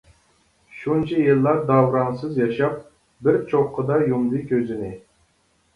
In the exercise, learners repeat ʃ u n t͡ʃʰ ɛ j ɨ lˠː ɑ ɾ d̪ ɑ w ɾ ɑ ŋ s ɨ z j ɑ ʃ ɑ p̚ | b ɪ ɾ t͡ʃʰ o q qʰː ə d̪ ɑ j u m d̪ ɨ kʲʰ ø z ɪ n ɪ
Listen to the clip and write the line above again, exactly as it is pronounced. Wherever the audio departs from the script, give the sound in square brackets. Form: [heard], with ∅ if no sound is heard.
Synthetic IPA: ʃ u n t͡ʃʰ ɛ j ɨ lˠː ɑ ɾ d̪ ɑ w ɾ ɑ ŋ s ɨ z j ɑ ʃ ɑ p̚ | b ɪ ɾ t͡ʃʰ o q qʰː ə d̪ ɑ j u m d̪ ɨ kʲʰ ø z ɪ n ɪ